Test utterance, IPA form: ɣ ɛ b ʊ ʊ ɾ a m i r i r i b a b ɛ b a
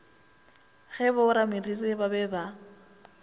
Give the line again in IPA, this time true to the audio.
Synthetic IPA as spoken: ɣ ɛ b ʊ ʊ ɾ a m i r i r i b a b ɛ b a